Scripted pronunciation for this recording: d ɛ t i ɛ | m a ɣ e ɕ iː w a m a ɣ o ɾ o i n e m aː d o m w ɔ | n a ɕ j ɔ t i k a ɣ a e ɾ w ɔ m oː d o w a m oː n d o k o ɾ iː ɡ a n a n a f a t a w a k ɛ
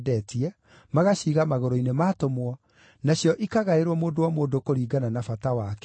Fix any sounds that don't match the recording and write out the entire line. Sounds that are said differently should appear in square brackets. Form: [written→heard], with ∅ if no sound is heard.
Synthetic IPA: d ɛ t i ɛ | m a ɣ [e→a] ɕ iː [w→ɣ] a m a ɣ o ɾ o i n e m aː [d→t] o m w ɔ | n a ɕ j ɔ [t→ʔ] i k a ɣ a e ɾ w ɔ m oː d o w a m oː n d o k o ɾ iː ɡ a n a n a f a t a w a k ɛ